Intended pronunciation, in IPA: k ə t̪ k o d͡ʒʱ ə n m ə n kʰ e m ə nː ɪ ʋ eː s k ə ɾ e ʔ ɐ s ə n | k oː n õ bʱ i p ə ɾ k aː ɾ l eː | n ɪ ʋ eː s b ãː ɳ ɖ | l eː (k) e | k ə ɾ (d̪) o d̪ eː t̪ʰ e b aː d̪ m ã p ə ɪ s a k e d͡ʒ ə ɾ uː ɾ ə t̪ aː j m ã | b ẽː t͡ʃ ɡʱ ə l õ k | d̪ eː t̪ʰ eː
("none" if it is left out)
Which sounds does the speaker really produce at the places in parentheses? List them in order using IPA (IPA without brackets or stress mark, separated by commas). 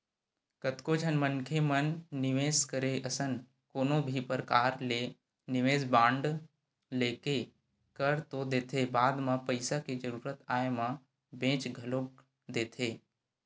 k, t̪